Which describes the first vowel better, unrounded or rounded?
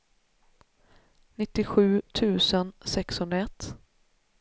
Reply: unrounded